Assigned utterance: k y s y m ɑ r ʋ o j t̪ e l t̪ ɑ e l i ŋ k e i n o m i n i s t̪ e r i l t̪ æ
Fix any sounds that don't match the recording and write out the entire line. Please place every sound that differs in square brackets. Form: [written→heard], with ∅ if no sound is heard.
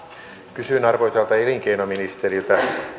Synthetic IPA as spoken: k y s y [m→n] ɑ r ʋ o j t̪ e l t̪ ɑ e l i ŋ k e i n o m i n i s t̪ e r i l t̪ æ